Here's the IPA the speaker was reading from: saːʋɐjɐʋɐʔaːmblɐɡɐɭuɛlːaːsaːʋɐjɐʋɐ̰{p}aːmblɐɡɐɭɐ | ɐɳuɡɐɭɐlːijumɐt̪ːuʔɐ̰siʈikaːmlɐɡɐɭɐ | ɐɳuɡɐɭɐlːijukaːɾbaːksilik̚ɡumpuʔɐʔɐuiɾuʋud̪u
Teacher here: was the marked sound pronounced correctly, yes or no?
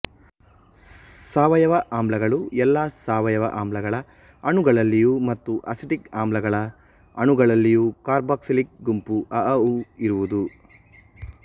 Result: no